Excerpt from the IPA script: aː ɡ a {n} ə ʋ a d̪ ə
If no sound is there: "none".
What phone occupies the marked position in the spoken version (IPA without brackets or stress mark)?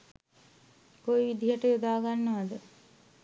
nː